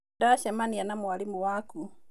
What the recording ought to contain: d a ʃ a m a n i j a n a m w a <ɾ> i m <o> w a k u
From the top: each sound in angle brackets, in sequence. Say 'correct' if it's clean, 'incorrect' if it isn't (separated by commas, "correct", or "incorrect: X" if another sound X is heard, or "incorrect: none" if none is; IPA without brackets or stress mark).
incorrect: l, incorrect: u